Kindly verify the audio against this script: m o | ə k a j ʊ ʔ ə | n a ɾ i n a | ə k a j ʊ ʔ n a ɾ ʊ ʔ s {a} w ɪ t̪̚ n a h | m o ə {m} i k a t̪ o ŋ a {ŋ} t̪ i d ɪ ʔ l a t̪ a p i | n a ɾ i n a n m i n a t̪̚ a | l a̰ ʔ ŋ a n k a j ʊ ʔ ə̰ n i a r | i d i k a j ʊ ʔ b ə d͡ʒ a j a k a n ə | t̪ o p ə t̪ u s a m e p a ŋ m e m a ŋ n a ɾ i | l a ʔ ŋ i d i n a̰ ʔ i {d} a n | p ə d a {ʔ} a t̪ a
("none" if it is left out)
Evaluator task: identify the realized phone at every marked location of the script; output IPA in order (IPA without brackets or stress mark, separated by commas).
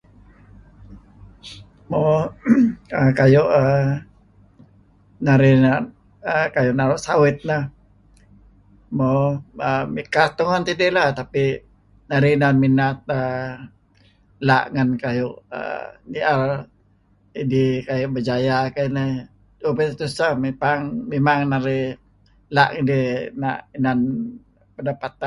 a, m, n, n, p